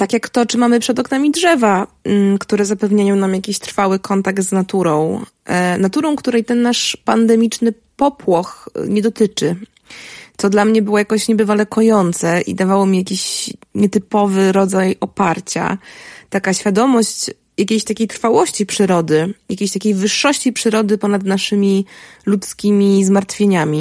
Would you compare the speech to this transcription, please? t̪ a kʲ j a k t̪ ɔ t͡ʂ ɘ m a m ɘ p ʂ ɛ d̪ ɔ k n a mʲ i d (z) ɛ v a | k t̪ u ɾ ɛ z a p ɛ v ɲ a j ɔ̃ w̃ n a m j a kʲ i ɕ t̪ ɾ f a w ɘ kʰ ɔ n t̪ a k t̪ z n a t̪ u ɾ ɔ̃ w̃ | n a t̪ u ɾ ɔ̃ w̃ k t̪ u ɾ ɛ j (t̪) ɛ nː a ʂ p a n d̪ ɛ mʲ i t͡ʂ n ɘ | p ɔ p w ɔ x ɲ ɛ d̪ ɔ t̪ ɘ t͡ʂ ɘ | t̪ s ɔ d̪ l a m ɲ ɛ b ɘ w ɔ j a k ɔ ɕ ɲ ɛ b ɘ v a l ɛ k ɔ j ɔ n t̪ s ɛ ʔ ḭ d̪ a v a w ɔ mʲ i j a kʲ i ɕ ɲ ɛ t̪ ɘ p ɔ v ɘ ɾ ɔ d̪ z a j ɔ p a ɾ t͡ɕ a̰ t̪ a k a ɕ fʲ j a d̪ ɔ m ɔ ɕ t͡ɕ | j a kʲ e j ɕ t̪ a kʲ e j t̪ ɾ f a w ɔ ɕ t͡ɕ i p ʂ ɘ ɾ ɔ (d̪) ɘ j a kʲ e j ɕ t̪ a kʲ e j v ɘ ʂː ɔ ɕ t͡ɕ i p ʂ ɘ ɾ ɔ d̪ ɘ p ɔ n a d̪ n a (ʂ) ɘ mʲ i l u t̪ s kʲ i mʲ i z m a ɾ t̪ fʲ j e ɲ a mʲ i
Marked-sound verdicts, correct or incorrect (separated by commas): incorrect, correct, correct, correct